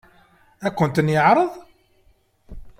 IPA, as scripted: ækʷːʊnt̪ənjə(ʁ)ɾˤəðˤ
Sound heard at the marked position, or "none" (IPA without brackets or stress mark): ʕ